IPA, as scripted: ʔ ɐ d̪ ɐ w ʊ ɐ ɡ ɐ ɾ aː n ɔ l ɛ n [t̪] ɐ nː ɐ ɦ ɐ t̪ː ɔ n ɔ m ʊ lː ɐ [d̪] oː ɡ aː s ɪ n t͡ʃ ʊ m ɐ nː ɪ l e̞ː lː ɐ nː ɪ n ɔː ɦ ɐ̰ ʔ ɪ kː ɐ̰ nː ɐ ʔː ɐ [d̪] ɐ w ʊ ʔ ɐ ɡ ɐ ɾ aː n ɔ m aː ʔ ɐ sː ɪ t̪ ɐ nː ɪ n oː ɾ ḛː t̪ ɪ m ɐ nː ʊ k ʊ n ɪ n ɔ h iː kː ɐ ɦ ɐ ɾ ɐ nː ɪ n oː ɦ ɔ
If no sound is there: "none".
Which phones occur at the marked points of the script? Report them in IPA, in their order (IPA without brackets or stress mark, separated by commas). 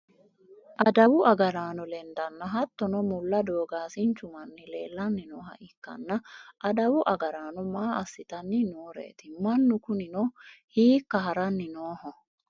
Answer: d̪, d̪, d̪